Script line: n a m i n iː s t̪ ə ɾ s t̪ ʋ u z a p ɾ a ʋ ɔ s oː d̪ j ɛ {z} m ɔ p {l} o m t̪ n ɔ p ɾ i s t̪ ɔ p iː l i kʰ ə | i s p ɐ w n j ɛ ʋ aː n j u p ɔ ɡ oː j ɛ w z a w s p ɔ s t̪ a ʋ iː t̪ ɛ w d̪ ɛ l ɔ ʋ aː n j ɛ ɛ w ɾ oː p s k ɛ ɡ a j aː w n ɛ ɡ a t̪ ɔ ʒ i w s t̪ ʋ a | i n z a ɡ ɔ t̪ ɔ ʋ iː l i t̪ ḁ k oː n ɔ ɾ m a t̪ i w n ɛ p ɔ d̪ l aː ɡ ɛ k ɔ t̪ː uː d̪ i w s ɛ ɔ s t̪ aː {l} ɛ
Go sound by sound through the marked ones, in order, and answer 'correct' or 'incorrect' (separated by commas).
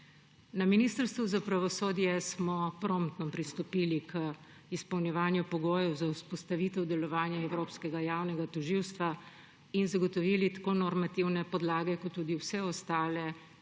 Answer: incorrect, incorrect, correct